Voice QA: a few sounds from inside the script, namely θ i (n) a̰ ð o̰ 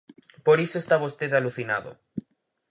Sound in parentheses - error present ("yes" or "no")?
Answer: no